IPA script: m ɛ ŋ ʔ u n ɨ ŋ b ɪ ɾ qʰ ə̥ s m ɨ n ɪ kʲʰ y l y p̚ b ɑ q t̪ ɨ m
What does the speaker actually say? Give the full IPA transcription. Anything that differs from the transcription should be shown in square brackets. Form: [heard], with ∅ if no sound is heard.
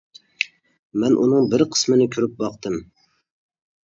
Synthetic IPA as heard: m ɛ [n] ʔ u n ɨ ŋ b ɪ ɾ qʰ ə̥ s m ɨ n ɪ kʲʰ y [ɾ] y p̚ b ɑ q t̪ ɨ m